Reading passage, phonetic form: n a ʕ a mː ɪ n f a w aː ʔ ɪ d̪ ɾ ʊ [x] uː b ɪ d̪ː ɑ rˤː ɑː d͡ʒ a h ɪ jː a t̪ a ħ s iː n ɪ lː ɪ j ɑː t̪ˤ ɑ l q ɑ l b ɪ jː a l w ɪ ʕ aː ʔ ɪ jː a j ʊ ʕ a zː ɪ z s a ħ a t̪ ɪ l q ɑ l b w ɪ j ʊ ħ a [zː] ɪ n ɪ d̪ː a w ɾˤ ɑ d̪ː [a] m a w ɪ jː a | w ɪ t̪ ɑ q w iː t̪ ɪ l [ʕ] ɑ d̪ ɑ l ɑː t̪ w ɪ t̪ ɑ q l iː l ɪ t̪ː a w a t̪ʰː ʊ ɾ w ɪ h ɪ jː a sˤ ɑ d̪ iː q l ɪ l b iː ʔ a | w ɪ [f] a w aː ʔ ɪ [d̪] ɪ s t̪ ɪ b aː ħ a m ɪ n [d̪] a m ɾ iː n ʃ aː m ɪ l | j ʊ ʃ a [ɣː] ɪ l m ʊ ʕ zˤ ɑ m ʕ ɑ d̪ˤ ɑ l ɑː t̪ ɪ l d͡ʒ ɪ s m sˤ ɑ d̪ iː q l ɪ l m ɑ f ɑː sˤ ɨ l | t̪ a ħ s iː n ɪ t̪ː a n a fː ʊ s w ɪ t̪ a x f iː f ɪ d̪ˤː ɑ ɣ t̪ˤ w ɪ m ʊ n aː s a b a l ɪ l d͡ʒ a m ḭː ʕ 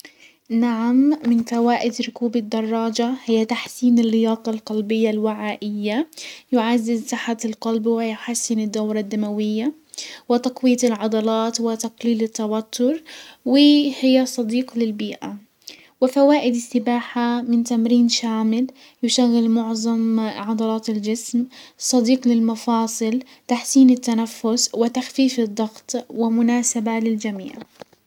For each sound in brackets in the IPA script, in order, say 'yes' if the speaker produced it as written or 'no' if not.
no, no, yes, yes, yes, yes, no, yes

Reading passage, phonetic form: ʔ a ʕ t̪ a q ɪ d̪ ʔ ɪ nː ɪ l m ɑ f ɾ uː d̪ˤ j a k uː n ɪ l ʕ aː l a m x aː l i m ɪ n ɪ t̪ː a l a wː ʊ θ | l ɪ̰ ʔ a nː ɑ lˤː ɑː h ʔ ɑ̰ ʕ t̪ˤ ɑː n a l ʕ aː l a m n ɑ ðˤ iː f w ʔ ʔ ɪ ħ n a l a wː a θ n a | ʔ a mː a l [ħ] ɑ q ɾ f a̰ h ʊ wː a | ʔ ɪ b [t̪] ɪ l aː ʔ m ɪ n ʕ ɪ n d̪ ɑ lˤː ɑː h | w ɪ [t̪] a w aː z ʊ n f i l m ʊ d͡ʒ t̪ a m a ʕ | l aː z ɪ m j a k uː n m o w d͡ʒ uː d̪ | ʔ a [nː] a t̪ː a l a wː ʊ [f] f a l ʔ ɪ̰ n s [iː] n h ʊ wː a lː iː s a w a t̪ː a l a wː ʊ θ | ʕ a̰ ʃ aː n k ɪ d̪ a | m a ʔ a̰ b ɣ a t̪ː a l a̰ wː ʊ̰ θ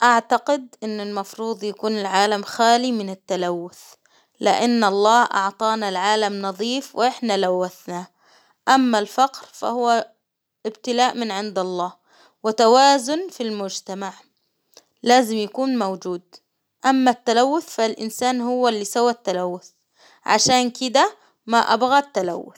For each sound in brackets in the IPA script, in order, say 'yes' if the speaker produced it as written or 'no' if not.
no, yes, yes, no, no, no

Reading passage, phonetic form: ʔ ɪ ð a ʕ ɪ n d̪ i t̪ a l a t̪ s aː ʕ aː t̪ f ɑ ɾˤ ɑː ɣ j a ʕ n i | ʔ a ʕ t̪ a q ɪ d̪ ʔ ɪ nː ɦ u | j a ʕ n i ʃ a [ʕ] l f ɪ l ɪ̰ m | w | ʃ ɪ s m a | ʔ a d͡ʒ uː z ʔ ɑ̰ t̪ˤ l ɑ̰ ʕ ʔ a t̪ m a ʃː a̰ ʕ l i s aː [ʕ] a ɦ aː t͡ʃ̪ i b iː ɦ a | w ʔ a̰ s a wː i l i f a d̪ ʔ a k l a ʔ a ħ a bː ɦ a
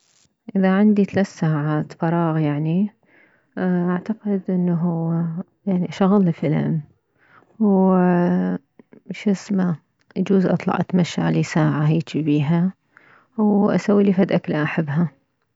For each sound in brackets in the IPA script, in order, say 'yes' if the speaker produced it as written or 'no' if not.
no, yes

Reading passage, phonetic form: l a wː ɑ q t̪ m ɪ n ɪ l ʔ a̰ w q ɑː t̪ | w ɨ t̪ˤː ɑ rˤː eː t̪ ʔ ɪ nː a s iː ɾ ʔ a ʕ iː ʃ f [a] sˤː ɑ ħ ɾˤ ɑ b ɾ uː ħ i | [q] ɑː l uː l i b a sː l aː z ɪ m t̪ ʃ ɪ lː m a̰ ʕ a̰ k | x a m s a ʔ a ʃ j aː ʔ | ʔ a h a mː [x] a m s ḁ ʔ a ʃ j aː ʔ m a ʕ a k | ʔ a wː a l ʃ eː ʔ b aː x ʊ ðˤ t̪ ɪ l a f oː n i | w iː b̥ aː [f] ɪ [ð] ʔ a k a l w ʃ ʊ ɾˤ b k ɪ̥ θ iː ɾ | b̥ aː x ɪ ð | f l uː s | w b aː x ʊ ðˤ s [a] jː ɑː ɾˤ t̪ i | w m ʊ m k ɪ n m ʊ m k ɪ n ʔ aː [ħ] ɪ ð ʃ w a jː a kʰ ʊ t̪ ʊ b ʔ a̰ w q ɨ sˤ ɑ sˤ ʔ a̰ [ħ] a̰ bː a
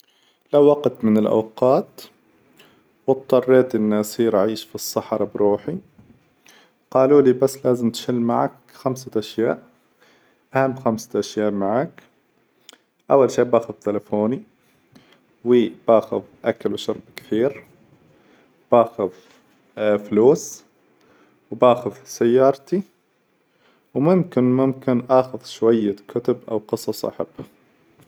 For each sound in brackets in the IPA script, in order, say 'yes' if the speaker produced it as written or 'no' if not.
no, yes, yes, no, yes, yes, no, yes

